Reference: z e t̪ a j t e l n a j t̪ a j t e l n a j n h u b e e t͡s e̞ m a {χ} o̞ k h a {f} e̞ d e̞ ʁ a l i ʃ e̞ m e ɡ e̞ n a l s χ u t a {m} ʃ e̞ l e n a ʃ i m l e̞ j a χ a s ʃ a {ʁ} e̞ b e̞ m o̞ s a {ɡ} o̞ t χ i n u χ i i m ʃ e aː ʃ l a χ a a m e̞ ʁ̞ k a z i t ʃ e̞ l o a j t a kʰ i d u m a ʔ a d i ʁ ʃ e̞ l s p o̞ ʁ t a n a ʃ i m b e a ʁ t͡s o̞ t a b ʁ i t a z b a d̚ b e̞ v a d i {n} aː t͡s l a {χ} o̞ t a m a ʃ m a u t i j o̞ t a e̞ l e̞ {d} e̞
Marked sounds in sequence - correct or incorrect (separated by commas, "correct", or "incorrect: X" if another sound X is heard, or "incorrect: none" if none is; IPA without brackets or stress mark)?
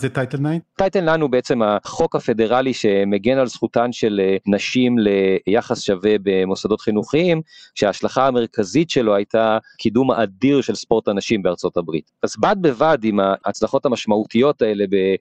correct, correct, incorrect: n, incorrect: v, incorrect: d, incorrect: m, correct, incorrect: b